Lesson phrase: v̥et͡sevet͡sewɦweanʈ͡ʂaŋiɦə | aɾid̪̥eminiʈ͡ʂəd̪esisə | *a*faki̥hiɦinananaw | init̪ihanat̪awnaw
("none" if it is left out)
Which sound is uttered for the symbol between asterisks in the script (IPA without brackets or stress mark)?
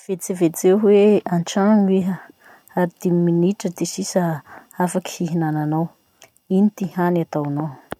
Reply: a